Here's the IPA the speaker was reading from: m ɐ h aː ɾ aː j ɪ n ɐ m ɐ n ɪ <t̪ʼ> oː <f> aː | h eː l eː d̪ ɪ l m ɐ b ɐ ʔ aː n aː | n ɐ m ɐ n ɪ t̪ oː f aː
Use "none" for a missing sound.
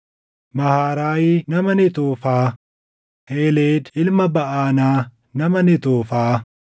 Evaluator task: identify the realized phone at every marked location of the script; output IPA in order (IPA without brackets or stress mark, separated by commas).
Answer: t̪, f